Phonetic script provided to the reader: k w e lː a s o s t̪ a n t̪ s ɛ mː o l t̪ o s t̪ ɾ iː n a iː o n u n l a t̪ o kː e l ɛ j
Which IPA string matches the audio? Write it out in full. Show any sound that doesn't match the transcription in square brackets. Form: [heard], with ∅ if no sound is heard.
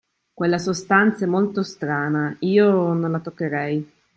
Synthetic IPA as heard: k w e lː a s o s t̪ a n t̪ s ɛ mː o l t̪ o s t̪ ɾ [aː] n a iː o n [o] n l a t̪ o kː e [ɾ] ɛ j